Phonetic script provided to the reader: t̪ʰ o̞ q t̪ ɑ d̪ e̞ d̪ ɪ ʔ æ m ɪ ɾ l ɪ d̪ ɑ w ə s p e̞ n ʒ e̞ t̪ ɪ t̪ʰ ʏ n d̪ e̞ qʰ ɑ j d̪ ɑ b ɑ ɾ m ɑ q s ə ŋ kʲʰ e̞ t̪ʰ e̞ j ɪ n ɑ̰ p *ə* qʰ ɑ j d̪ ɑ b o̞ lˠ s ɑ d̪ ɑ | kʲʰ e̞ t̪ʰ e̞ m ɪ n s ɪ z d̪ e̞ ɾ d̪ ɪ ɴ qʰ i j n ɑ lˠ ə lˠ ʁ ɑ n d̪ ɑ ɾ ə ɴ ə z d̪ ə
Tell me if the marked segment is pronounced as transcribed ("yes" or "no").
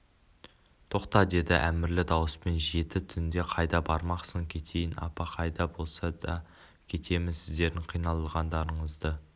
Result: no